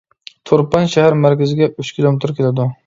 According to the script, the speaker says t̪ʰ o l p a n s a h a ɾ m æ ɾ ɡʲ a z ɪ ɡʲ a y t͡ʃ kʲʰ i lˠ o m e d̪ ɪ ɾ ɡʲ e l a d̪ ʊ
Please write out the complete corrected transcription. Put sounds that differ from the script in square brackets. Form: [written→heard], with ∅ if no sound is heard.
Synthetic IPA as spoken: t̪ʰ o [l→ɾ] p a n [s→ʃ] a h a ɾ m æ ɾ [ɡʲ→kʲ] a z ɪ ɡʲ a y t͡ʃ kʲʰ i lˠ o m e [d̪→t̪] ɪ ɾ [ɡʲ→kʲ] e l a d̪ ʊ